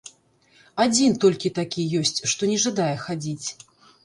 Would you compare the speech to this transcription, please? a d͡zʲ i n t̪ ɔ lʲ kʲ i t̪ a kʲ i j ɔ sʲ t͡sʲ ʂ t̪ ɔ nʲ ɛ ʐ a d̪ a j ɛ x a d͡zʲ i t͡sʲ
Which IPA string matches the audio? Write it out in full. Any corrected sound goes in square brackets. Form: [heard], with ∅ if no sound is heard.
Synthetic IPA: a d͡zʲ i n t̪ ɔ lʲ kʲ i t̪ a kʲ i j ɔ sʲ t͡sʲ ʂ t̪ ɔ nʲ ɛ ʐ a d̪ a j ɛ x a d͡zʲ i t͡sʲ